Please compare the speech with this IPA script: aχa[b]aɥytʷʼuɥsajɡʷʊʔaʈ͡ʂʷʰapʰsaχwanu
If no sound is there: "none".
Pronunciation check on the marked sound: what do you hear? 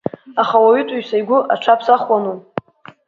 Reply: w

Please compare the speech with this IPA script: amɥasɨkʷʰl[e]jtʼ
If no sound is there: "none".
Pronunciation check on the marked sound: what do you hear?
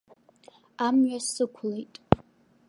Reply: e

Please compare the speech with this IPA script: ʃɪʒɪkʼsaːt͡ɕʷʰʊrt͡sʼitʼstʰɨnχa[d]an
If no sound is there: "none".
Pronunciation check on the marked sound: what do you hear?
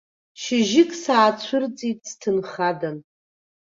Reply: d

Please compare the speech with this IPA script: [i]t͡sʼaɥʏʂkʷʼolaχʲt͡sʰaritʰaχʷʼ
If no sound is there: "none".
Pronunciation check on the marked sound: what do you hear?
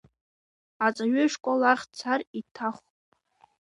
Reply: a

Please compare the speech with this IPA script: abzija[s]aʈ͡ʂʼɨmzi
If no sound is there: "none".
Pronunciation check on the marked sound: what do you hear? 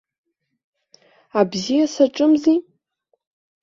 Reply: s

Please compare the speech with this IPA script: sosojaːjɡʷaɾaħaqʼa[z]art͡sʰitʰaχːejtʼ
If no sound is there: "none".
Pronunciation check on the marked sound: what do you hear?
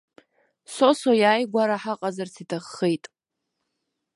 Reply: z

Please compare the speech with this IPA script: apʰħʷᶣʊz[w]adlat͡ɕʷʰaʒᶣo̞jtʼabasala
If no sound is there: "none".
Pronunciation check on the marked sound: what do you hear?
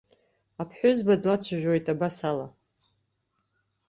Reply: b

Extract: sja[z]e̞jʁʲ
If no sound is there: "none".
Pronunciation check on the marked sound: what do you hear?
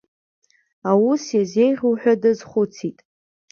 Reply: z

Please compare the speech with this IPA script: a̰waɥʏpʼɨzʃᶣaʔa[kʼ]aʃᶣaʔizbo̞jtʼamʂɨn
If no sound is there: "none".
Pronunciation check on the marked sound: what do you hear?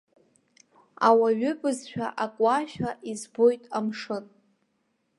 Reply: kʼ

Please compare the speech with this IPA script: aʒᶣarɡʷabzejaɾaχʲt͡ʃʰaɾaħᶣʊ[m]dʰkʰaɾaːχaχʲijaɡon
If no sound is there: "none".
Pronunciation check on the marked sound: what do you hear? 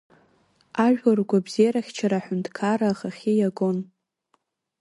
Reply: n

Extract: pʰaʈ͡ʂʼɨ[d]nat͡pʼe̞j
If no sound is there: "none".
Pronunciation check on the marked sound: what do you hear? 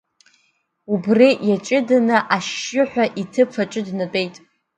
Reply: d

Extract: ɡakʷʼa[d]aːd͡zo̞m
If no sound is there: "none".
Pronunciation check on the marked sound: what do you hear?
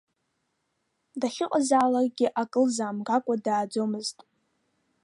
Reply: d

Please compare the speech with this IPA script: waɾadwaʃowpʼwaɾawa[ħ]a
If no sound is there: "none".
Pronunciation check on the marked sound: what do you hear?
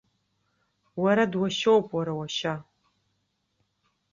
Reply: ʃ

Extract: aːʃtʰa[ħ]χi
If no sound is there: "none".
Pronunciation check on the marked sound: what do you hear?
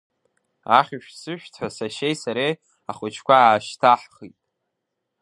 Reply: ħ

